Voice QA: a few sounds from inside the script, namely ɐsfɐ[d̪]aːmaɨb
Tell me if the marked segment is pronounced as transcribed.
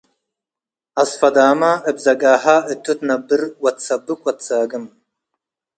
yes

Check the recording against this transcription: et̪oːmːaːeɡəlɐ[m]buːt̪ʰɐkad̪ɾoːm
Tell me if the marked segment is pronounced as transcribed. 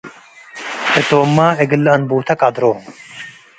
no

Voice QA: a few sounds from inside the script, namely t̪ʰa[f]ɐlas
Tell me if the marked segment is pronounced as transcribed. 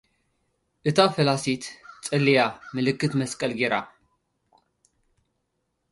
yes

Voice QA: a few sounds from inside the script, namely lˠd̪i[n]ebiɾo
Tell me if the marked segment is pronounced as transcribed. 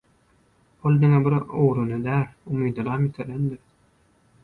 no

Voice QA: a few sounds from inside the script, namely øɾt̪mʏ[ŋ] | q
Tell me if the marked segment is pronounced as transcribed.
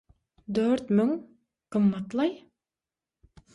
yes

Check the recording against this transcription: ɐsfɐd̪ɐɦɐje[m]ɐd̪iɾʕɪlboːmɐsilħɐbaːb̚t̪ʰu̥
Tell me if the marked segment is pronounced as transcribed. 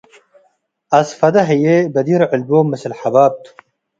no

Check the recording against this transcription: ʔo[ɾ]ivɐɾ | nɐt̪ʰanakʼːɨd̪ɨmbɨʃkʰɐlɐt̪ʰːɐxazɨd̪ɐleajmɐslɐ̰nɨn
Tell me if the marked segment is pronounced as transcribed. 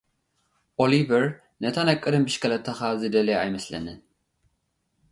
no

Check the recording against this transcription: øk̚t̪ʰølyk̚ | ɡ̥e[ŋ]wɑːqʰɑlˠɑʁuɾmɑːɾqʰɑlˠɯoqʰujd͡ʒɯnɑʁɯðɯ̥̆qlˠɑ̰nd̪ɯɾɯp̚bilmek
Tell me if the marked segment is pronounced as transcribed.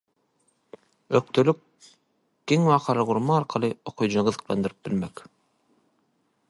yes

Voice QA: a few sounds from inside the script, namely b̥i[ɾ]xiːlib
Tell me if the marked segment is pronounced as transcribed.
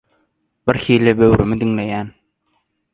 yes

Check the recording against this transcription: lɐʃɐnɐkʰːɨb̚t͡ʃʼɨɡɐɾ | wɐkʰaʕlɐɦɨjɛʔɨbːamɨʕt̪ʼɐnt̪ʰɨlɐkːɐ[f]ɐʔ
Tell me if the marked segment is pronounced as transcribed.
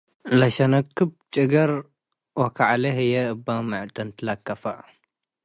yes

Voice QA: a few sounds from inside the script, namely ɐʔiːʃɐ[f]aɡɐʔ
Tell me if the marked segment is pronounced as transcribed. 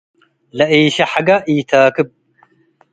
no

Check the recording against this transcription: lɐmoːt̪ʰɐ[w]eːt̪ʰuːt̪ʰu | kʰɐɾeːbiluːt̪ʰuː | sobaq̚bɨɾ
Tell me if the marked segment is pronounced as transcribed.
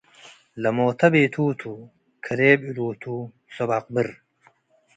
no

